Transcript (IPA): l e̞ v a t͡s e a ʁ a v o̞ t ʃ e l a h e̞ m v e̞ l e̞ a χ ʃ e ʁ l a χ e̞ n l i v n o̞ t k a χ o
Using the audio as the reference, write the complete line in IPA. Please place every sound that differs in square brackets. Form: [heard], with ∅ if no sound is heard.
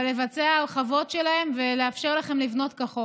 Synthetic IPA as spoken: l e̞ v a t͡s e a [χ] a v o̞ t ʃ e l a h e̞ m v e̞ l e̞ a [f] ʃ e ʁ l a χ e̞ [m] l i v n o̞ t k a χ o